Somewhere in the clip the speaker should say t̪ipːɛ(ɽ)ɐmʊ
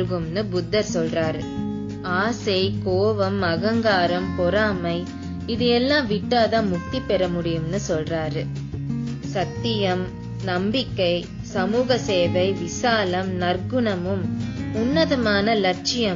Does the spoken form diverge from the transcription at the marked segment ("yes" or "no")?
yes